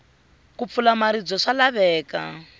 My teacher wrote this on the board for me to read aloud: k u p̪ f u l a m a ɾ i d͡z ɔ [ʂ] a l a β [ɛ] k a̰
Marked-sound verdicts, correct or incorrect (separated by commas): correct, incorrect